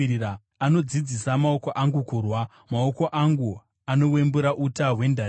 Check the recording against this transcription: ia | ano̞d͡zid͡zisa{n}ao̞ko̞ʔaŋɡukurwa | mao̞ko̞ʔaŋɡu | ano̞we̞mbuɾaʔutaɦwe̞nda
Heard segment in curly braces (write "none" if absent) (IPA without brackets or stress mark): m